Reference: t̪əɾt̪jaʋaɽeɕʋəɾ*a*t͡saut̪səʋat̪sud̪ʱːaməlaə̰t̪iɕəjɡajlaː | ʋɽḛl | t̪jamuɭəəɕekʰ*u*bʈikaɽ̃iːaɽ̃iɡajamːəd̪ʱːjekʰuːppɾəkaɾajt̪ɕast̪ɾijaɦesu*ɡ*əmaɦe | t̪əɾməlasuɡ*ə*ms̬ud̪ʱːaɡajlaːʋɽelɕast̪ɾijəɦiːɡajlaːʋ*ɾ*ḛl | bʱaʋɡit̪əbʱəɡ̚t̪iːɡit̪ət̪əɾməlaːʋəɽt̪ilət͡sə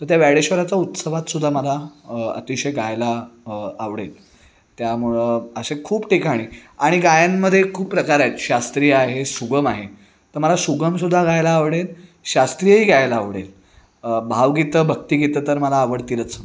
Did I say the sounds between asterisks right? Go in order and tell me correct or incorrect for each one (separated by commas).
correct, incorrect, correct, correct, incorrect